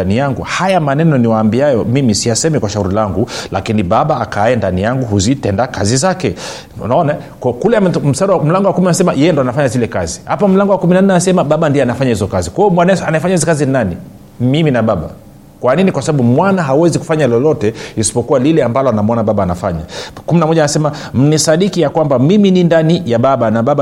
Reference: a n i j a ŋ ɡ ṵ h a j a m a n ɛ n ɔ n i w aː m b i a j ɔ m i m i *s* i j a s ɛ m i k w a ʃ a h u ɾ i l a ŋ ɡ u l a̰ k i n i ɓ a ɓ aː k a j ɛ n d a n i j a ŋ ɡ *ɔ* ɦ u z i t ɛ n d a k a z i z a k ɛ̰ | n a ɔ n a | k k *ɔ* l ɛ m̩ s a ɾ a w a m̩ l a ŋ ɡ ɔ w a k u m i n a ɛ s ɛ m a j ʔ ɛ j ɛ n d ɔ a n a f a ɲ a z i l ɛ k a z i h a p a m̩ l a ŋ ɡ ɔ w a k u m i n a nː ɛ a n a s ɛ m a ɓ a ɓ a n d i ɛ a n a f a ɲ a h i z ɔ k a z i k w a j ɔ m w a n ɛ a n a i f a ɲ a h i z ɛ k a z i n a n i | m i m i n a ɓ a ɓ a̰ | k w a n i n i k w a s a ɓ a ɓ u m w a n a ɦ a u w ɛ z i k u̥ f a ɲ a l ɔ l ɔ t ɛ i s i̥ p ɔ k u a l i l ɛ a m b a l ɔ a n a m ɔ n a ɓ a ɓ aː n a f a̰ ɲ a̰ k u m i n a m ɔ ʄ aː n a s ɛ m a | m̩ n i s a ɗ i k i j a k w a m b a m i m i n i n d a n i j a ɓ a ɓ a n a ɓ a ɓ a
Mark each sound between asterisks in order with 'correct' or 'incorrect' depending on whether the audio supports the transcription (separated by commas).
correct, incorrect, incorrect